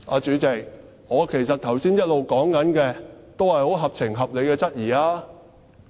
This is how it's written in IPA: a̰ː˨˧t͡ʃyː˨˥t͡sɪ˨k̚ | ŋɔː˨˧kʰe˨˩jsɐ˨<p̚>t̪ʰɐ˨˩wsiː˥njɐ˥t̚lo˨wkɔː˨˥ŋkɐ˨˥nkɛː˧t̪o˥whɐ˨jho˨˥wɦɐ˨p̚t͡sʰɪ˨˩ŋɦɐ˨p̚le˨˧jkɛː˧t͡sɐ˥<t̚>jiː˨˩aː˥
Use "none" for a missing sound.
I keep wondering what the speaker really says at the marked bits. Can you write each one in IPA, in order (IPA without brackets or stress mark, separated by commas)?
t̚, t̚